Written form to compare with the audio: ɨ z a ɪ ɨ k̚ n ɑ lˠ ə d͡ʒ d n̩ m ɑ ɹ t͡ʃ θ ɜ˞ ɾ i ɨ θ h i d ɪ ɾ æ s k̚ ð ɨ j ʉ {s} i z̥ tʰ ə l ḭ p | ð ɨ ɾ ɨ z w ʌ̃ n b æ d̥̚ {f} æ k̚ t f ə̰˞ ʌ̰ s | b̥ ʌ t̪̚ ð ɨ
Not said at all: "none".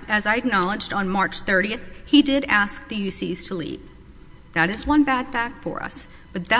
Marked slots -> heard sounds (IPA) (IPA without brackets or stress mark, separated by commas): s, f